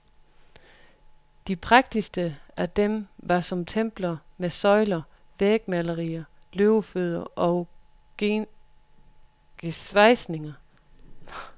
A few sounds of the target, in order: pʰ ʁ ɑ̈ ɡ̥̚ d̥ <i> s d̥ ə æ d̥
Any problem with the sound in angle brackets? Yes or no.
no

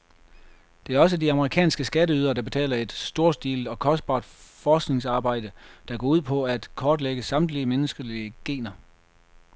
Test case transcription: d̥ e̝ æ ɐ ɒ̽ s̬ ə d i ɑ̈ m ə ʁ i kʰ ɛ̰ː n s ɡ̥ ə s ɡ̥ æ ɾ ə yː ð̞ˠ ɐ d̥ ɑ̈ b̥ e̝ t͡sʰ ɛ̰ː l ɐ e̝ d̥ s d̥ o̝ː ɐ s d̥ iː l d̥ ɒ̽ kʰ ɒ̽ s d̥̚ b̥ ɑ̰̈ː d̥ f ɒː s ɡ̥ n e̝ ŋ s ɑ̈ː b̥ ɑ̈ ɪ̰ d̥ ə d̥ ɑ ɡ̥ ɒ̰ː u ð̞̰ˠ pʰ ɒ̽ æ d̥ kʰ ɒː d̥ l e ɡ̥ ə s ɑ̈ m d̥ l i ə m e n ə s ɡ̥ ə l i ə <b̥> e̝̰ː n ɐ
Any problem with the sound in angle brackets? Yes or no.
yes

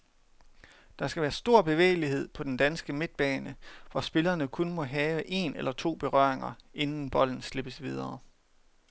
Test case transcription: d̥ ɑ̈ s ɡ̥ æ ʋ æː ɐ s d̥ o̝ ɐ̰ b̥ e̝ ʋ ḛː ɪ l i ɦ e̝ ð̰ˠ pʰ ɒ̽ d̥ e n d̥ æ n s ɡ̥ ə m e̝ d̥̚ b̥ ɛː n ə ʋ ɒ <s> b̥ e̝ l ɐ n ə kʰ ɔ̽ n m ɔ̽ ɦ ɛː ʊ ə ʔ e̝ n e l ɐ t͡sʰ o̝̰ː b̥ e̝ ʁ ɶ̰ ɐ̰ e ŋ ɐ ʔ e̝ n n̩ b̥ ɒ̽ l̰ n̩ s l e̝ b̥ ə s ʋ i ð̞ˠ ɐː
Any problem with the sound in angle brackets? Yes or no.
no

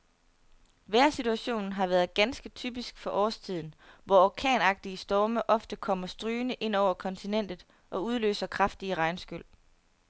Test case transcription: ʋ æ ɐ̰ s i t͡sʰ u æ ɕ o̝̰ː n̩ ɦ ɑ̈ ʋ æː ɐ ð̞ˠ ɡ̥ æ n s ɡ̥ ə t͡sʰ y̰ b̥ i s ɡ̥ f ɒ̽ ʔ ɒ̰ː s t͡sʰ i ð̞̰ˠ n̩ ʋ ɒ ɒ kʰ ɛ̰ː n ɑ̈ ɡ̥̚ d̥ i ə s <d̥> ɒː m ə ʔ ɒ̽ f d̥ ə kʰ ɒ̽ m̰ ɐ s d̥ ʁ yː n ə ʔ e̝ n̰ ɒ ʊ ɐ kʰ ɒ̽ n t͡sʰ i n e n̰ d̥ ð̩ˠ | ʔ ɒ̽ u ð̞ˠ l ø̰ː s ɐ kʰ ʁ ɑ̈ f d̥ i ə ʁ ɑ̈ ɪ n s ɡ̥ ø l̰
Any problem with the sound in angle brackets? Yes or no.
no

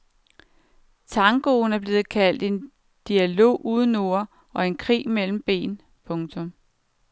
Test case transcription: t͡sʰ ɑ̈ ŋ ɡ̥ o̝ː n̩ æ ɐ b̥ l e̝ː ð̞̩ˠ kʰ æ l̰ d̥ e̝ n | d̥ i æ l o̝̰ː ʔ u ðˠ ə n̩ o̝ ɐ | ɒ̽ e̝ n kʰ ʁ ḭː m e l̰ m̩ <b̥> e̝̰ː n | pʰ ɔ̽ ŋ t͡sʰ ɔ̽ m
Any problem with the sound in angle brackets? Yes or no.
no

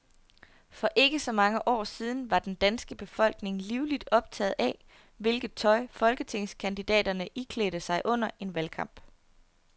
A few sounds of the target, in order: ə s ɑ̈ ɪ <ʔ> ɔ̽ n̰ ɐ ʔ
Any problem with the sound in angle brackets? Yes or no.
no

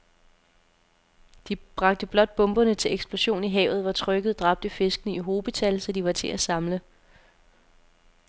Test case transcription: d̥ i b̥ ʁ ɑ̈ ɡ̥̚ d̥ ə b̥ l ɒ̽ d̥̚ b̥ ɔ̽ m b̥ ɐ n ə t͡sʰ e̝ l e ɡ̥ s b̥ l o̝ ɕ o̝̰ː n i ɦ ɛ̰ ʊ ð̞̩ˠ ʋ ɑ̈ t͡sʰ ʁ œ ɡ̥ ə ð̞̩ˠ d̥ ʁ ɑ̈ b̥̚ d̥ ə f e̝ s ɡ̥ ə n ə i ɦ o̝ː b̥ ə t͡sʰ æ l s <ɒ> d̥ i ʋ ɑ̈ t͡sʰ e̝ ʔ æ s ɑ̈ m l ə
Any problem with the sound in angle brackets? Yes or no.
no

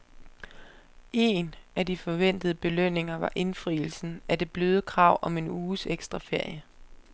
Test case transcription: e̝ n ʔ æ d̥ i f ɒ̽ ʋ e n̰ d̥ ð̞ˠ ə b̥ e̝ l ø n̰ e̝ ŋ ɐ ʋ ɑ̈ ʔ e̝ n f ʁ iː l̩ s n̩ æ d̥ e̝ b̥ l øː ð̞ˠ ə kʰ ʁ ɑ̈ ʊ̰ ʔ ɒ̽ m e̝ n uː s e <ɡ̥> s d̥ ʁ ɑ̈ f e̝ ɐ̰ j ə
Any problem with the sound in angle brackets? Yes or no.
no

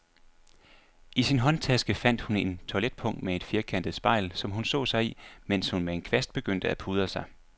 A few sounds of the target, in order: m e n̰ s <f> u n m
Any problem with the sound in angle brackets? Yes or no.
yes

